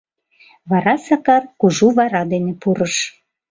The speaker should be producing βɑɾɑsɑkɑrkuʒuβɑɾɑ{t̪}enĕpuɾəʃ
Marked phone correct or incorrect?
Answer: incorrect: d̪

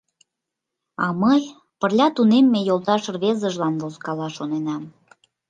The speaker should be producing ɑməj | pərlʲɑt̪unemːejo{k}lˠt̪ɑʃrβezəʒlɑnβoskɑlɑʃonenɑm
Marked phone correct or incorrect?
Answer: incorrect: none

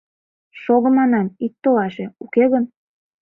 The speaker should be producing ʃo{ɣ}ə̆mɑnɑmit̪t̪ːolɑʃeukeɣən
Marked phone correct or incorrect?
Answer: correct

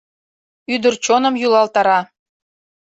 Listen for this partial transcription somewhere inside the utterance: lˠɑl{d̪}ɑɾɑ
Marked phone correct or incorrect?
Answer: incorrect: t̪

